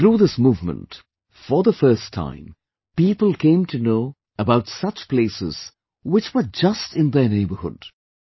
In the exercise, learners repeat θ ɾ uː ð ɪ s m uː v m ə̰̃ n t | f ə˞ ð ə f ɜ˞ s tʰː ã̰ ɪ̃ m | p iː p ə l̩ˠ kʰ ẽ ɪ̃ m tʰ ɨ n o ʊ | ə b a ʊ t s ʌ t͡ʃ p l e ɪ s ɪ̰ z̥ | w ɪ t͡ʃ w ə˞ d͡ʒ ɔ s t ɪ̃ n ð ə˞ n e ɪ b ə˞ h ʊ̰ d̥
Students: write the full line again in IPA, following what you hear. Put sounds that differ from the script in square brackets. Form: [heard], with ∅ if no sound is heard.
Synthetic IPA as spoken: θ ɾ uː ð ɪ s m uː v m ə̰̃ n t | f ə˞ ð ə f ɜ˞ s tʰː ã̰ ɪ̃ m | p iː p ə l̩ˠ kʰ ẽ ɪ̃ m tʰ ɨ n o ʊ | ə b a ʊ t s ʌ t͡ʃ p l e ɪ s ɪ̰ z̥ | w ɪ t͡ʃ w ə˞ d͡ʒ [ʌ] s t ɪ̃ n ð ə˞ n e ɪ b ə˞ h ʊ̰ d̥

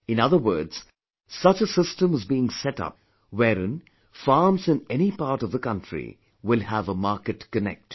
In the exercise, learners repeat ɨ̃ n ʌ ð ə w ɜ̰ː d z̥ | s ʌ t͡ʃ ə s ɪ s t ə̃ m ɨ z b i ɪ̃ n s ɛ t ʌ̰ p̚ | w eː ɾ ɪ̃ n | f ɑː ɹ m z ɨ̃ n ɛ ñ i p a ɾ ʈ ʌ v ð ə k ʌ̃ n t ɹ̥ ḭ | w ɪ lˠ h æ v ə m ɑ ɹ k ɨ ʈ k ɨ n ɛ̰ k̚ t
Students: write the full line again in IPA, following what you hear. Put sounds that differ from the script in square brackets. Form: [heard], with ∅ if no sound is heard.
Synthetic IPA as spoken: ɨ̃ n ʌ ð ə w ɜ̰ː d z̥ | s ʌ t͡ʃ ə s ɪ s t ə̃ m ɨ z b i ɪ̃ [ŋ] s ɛ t ʌ̰ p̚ | w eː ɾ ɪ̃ n | f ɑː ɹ m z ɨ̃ n ɛ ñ i p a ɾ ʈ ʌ v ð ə k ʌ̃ n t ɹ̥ ḭ | w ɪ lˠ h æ v ə m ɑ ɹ k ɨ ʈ k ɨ n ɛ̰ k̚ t

